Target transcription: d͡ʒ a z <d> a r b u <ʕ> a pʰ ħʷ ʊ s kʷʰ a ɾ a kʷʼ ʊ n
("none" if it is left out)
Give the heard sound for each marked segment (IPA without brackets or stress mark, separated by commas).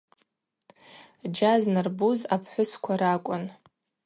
n, z